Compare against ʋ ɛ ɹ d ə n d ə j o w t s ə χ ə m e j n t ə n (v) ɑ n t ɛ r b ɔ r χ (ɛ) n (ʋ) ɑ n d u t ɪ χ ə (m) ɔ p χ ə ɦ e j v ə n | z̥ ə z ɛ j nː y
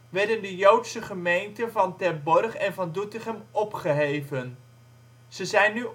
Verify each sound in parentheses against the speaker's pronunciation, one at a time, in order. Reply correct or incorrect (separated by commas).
correct, correct, incorrect, correct